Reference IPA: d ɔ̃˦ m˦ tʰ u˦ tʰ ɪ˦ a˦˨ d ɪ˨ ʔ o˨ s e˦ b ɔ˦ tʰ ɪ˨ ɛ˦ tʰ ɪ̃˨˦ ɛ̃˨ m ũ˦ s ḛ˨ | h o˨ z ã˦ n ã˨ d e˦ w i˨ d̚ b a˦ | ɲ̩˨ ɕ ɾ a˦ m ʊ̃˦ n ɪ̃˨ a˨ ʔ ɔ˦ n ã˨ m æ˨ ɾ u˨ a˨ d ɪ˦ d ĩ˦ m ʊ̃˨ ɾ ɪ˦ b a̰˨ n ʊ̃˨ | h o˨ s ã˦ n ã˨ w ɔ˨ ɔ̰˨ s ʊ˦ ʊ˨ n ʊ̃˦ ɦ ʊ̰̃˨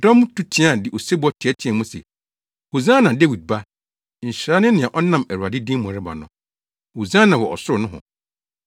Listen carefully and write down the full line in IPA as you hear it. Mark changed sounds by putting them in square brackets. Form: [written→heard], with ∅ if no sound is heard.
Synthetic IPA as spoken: d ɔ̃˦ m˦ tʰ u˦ tʰ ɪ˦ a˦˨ d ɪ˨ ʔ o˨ s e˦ b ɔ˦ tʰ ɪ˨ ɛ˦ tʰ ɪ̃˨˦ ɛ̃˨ m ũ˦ s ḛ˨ | h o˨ z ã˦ n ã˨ d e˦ w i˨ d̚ b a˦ | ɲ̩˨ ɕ ɾ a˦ [m→n] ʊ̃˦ n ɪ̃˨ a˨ ʔ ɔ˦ n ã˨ m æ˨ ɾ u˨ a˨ d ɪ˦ d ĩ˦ m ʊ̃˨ ɾ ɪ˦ b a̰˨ n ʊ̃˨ | h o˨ [s→z] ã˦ n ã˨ w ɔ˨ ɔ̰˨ s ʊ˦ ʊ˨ n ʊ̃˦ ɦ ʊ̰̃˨

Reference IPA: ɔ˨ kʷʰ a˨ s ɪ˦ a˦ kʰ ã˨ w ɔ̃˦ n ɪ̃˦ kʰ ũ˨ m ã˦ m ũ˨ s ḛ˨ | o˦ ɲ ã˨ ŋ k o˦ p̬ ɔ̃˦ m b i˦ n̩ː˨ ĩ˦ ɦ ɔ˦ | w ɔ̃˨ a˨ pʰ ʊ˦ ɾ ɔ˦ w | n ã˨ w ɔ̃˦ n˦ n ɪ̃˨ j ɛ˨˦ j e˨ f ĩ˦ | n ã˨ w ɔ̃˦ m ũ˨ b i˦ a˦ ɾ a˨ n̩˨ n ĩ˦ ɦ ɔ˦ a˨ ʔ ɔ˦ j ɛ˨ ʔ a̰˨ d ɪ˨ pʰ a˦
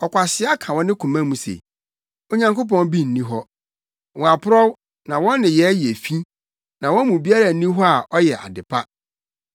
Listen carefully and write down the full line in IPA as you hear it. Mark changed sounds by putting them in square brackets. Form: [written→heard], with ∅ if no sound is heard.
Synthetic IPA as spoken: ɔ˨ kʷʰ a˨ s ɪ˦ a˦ kʰ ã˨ w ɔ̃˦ n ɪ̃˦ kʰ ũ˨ m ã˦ m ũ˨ s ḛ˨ | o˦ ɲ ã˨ ŋ k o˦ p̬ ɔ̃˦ [m→n] b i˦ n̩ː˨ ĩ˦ ɦ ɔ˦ | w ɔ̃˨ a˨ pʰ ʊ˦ ɾ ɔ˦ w | n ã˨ w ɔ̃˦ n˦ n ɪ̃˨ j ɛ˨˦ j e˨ f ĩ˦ | n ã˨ w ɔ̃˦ m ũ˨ b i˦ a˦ ɾ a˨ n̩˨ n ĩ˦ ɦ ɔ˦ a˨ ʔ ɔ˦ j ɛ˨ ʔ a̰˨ d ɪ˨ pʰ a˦

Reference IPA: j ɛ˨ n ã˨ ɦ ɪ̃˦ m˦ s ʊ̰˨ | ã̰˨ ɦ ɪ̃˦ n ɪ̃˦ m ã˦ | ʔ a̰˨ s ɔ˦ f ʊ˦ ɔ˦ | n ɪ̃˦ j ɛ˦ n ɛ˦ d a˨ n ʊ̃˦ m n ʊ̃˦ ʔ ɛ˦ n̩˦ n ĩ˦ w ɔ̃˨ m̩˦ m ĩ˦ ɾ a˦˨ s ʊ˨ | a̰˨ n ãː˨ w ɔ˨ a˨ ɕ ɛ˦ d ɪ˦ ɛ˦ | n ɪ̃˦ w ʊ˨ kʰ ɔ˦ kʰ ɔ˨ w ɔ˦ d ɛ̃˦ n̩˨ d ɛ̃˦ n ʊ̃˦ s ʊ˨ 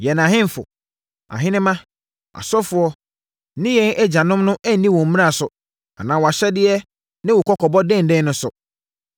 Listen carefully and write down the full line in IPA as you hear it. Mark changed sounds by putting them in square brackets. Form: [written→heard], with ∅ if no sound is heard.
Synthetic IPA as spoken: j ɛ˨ n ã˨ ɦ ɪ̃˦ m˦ [s→f] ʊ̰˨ | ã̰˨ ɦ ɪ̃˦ n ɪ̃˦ m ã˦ | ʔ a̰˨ s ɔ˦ f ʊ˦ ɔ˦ | n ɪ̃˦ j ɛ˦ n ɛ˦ [d→d͡ʑ] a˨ n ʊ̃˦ m n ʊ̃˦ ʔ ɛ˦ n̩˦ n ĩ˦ w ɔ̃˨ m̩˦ m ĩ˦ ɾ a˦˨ s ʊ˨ | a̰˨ n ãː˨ w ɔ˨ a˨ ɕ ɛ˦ d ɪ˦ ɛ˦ | n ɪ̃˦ w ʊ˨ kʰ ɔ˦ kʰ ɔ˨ [w→b] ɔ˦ d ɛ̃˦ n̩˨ d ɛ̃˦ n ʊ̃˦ s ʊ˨

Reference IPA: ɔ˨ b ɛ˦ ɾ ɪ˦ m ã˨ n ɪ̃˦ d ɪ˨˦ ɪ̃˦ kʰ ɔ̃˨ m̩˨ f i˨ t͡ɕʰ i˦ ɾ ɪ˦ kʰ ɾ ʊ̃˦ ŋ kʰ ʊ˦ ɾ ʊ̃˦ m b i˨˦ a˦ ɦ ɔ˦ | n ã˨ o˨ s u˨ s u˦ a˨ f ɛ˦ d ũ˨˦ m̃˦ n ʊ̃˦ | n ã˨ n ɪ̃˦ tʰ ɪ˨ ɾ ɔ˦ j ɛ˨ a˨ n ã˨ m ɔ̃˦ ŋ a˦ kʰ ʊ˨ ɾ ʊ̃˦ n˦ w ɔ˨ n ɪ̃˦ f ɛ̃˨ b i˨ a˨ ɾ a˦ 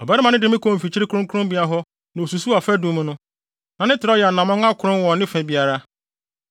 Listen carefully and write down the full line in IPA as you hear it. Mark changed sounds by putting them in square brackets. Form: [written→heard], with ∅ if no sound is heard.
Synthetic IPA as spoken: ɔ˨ b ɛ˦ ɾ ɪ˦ m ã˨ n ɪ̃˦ d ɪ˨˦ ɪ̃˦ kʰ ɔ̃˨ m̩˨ f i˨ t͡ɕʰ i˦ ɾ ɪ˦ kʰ ɾ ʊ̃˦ ŋ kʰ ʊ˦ ɾ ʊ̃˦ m b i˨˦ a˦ ɦ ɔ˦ | n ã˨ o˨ s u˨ s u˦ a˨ f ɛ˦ d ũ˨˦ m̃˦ n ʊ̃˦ | n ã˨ n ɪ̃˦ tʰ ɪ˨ ɾ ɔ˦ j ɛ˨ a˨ n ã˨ m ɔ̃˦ ŋ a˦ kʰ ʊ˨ ɾ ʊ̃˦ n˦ w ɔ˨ n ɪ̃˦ f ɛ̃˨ b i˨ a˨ ɾ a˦

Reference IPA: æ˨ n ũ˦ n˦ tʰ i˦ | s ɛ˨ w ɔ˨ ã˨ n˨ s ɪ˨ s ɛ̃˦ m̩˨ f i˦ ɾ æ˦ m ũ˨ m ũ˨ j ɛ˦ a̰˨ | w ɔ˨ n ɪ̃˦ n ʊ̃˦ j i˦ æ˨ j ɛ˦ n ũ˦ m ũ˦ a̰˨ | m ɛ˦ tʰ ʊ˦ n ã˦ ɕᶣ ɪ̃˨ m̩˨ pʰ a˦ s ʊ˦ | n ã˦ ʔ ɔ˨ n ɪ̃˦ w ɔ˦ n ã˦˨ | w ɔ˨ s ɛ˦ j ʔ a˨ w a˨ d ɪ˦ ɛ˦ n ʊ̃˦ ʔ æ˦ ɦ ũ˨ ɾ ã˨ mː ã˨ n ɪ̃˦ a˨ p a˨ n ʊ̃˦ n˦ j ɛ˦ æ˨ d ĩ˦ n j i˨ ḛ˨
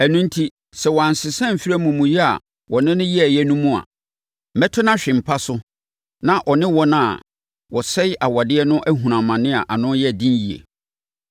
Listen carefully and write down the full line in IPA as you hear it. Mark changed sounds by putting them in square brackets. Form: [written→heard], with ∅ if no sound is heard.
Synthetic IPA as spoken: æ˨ n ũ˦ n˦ tʰ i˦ | s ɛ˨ w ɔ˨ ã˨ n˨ s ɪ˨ s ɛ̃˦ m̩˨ f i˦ ɾ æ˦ m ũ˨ m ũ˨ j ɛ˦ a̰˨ | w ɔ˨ n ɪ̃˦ n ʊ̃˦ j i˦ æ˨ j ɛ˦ n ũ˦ m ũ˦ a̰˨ | m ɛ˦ tʰ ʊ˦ n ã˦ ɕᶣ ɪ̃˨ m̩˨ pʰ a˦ s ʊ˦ | n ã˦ ʔ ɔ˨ n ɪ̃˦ w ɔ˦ n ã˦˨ | w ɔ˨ s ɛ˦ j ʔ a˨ w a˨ d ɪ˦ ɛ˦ n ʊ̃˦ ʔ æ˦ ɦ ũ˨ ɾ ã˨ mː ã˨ n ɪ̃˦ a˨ [p→ʔ] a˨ n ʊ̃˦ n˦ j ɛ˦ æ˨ d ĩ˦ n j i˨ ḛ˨

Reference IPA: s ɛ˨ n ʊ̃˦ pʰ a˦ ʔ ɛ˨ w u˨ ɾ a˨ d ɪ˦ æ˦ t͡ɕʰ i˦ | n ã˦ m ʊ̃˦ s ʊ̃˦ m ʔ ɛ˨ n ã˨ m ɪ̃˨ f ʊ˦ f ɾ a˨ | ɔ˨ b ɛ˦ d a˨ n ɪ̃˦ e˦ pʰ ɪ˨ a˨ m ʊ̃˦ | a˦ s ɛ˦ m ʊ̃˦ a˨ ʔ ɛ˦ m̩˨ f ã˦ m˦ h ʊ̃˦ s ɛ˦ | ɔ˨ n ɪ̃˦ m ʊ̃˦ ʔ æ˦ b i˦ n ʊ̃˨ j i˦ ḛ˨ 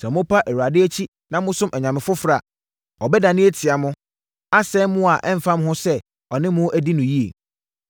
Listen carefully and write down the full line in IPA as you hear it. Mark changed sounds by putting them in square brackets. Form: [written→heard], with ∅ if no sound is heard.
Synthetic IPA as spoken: s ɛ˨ [n→m] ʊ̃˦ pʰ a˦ ʔ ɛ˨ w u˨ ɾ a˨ d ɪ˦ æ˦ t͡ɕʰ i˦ | n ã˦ m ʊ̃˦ s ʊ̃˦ m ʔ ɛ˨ [n→ɲ] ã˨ m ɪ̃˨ f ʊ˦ f ɾ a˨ | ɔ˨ b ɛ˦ d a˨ n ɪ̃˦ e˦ [pʰ→tʰ] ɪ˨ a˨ m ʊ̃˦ | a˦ s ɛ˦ m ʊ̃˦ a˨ ʔ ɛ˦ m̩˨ f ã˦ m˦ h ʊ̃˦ s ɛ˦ | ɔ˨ n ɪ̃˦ m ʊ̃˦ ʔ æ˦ [b→d] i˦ n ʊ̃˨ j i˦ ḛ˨

